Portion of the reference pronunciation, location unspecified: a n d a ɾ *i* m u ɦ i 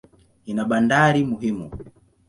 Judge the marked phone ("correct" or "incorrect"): correct